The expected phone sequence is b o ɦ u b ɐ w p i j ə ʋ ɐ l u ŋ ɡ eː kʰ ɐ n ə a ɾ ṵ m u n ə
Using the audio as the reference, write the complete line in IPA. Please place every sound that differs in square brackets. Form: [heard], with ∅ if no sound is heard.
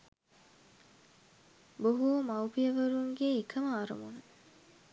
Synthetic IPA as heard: b o ɦ u [m] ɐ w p i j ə ʋ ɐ [ɾ] u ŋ ɡ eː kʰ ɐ [m] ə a ɾ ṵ m u n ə